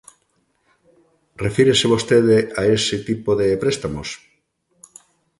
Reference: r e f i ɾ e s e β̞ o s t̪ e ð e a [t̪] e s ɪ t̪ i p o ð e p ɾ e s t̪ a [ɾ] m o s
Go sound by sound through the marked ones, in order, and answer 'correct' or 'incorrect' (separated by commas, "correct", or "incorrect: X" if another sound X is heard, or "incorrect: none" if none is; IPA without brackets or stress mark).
incorrect: none, incorrect: none